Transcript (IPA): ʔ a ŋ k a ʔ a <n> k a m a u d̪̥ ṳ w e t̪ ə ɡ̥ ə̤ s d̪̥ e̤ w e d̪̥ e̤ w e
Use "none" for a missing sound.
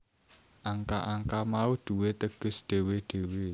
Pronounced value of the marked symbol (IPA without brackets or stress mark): ŋ